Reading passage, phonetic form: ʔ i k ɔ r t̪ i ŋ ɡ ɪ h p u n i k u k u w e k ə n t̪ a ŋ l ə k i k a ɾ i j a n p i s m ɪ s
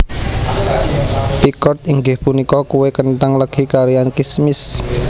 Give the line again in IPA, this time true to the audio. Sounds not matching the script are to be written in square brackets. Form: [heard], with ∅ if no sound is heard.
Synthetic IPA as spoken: [p] i k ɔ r t̪ i ŋ ɡ ɪ h p u n i k [ɔ] k u w e k ə n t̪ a ŋ l ə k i k a ɾ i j a n [k] i s m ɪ s